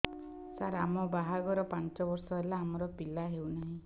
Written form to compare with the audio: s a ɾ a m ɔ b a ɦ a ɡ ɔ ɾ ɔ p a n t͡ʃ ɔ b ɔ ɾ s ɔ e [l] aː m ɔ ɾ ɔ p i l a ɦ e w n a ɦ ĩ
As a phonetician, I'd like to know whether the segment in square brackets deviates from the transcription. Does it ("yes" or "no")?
no